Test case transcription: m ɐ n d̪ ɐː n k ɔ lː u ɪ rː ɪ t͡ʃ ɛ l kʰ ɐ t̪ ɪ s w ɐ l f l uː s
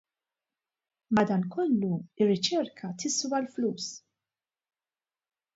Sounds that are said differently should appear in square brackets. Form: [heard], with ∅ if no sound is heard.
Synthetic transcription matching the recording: m ɐ [∅] d̪ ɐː n k ɔ lː u ɪ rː ɪ t͡ʃ ɛ [ɾ] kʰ ɐ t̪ ɪ s w ɐ l f l uː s